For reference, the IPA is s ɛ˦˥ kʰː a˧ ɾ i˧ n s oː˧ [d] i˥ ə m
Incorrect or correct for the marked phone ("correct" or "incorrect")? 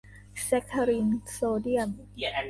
correct